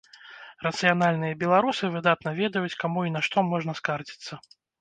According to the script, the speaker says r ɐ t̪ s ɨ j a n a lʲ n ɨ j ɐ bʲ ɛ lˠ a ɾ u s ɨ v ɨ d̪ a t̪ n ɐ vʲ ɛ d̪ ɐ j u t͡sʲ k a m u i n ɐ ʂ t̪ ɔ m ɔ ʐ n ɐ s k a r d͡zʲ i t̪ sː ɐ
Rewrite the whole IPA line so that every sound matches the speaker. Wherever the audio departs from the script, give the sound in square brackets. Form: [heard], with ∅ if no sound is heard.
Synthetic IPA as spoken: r ɐ t̪ s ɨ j a n a lʲ n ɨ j ɐ bʲ ɛ lˠ a ɾ u s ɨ v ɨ d̪ a t̪ n ɐ vʲ ɛ d̪ ɐ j u t͡sʲ k a m u i n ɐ ʂ t̪ ɔ m ɔ ʐ n ɐ s k a r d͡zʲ i t̪ sː ɐ